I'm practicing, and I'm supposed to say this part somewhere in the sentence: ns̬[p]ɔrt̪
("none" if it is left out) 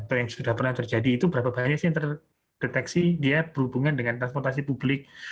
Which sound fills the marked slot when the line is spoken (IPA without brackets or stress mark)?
p